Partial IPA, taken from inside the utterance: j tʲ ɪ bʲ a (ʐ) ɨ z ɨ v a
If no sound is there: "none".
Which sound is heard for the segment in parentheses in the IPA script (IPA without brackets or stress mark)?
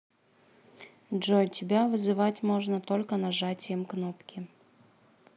v